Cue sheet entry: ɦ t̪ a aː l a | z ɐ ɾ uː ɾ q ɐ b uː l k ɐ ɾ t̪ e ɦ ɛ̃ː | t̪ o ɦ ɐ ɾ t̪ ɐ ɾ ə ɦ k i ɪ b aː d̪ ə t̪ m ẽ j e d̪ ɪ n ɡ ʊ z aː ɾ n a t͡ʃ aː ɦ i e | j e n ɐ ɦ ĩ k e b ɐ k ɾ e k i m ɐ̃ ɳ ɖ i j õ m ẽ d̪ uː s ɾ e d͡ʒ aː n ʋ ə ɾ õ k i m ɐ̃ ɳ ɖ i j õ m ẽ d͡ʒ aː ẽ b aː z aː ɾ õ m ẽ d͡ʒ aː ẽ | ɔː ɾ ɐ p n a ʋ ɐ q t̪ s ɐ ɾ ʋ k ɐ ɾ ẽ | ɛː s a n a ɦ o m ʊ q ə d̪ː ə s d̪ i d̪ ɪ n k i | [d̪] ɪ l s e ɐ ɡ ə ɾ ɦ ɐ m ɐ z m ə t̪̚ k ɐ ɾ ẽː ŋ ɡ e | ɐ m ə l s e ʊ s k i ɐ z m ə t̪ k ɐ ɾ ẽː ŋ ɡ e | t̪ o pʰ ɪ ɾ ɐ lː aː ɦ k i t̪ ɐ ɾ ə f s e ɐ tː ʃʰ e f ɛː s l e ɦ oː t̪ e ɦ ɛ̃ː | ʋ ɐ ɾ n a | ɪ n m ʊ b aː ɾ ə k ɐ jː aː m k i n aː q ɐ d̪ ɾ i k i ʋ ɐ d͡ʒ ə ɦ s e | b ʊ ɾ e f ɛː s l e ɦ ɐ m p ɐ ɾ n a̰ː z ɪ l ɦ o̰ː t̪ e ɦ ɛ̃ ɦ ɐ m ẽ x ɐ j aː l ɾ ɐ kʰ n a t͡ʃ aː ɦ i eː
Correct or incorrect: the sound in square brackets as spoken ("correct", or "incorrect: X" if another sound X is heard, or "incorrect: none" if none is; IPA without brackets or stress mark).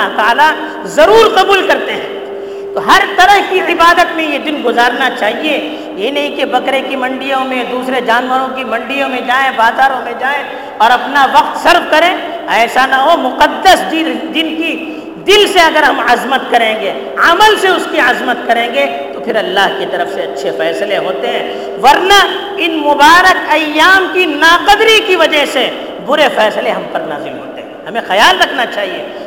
correct